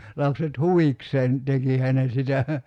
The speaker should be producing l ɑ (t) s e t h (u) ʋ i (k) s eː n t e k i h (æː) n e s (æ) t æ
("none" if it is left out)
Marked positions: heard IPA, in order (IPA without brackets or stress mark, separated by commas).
p, u, k, æ, i